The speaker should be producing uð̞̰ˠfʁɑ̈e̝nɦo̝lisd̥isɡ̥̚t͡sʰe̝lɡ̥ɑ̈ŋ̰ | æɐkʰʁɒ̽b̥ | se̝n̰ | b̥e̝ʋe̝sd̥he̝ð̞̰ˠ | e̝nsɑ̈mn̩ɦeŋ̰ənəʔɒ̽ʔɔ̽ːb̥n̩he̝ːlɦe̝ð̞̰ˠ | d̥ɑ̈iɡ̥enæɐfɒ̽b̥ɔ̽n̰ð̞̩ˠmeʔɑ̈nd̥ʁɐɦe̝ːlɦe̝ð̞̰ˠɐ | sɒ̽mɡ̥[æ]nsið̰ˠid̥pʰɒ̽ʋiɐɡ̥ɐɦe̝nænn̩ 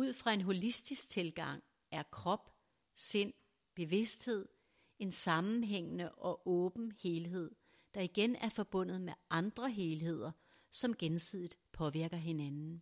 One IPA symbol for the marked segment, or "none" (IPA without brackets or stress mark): e